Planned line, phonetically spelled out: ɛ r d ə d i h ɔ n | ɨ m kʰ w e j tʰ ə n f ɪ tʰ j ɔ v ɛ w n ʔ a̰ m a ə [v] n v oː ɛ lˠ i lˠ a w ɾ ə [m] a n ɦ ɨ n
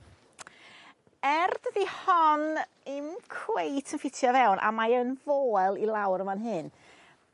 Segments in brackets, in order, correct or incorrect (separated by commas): incorrect, correct